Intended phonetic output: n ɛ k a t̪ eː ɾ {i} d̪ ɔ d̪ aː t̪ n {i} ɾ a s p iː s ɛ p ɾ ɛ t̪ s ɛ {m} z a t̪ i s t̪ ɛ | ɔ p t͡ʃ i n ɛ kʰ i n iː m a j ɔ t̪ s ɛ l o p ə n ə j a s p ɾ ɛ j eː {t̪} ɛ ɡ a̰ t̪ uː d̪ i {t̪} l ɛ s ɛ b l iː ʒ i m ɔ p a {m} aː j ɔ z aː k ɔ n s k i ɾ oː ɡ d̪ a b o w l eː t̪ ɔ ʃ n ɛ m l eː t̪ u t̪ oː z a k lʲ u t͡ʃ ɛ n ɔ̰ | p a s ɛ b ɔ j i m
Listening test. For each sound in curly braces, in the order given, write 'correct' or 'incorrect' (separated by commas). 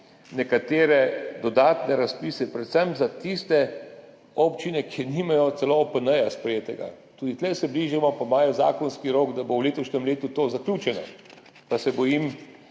incorrect, incorrect, correct, correct, correct, correct